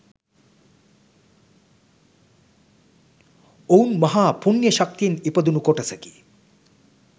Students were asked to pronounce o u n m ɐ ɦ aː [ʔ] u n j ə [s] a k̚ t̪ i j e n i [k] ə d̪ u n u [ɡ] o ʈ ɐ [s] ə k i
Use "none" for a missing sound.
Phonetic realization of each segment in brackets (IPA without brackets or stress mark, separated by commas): p, ʃ, p, k, s